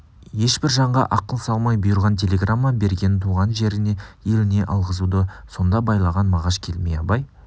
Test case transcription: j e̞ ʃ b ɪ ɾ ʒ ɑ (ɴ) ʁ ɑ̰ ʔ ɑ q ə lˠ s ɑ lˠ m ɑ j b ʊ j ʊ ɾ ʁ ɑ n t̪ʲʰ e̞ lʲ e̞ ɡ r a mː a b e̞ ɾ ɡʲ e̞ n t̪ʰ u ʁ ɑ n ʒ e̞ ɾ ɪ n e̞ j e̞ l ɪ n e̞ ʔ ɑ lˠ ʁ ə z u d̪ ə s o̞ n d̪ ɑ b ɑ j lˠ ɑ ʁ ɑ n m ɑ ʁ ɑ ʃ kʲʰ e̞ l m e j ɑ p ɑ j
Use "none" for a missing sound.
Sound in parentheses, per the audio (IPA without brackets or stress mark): ɴ